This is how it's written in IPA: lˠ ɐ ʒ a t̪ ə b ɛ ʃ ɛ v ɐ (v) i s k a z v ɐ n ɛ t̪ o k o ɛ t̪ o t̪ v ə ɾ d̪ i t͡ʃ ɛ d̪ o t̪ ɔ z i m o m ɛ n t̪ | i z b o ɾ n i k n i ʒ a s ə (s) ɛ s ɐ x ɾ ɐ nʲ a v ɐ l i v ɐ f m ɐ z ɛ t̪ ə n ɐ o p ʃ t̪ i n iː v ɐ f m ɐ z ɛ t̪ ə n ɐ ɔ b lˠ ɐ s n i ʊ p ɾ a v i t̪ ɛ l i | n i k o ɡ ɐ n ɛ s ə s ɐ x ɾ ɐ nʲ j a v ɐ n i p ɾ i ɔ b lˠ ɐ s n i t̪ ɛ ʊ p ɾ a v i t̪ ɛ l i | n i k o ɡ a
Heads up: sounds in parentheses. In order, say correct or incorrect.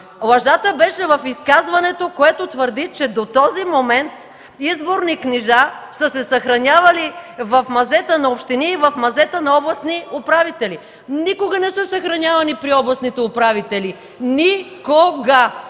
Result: incorrect: f, correct

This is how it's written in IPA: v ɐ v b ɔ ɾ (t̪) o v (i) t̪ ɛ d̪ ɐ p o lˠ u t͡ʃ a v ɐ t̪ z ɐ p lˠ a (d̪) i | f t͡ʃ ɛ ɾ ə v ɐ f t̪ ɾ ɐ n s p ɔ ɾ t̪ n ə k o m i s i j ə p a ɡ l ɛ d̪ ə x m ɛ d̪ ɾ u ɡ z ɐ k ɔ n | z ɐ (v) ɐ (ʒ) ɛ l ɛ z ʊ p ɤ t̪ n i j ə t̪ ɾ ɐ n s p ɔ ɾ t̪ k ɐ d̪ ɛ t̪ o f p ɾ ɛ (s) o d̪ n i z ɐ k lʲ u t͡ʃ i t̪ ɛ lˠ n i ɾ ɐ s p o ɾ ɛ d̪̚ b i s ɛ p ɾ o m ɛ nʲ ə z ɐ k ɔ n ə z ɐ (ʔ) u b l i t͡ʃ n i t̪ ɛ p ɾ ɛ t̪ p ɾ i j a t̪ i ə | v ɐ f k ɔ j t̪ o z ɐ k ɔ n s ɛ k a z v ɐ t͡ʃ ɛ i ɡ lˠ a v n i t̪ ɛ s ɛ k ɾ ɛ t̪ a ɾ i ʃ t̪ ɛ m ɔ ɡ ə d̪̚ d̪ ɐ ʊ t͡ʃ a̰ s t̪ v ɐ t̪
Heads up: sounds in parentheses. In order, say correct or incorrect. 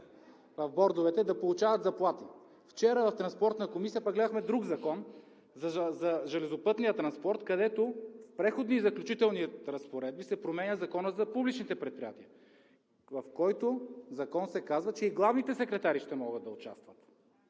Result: incorrect: d̪, incorrect: ɛ, incorrect: t̪, incorrect: z, correct, incorrect: x, incorrect: p

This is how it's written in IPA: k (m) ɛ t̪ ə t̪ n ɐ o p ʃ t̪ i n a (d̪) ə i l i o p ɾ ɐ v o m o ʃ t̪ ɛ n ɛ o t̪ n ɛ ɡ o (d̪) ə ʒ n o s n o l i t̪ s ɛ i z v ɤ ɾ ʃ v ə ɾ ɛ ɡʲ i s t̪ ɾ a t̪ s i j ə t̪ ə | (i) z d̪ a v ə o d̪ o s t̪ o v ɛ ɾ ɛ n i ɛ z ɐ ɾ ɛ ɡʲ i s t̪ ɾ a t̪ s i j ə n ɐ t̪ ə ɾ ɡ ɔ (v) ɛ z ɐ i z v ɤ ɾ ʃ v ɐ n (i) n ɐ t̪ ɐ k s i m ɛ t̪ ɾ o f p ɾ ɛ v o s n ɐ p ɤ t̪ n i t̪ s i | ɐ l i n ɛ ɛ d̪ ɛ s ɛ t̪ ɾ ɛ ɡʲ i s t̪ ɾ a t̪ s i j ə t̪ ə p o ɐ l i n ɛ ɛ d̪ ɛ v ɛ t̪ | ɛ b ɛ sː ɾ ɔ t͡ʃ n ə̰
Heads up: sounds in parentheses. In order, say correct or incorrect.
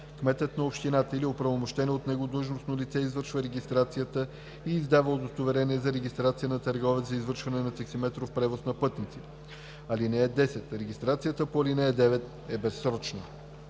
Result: correct, incorrect: t̪, correct, incorrect: iː, correct, incorrect: ɛ

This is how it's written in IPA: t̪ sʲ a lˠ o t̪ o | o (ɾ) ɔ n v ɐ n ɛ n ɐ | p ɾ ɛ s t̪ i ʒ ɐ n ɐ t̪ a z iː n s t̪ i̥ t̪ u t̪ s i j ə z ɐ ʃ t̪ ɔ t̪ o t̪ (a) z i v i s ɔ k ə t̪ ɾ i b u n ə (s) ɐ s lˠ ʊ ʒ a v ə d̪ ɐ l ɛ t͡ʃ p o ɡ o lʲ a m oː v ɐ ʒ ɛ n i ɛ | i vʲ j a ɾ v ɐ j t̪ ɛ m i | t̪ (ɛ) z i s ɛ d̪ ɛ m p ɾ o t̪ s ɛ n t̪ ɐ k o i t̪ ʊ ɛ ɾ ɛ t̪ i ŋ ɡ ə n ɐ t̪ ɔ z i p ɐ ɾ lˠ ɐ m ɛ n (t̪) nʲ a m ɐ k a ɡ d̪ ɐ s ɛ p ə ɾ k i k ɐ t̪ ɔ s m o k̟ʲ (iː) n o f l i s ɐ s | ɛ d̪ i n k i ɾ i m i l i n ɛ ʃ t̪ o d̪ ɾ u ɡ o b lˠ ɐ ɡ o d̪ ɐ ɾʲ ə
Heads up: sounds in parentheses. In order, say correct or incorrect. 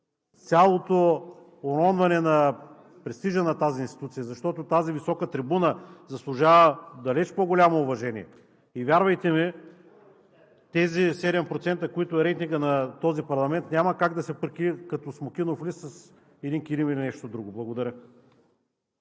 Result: correct, correct, incorrect: z, correct, correct, incorrect: i

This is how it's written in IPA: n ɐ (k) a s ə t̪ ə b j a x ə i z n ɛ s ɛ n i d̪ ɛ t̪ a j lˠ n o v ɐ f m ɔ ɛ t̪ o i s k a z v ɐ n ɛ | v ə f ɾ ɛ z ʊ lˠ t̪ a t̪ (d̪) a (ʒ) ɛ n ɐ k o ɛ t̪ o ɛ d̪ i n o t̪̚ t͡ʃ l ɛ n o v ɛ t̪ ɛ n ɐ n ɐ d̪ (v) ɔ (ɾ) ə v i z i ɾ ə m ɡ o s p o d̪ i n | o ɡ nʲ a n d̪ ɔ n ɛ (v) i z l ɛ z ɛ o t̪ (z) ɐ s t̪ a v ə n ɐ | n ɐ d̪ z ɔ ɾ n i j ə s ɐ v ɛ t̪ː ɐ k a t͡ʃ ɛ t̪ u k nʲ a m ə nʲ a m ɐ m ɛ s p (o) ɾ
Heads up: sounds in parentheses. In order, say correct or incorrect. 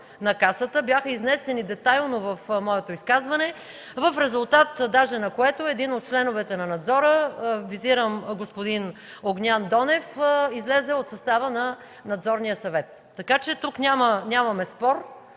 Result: correct, correct, correct, incorrect: z, correct, incorrect: f, incorrect: s, incorrect: ɔ

